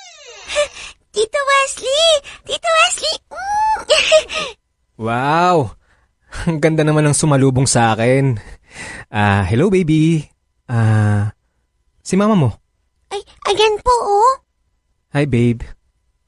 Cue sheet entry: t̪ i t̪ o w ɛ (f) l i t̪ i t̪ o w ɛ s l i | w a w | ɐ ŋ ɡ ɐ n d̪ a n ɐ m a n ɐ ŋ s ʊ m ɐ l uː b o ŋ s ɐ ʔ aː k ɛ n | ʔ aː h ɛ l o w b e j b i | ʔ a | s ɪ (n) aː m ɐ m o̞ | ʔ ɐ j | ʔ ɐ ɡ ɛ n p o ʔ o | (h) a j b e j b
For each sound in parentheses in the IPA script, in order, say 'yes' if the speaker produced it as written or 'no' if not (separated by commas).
no, no, yes